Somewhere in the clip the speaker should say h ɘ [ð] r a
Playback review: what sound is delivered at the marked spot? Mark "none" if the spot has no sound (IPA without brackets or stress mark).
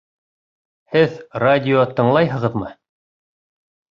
ð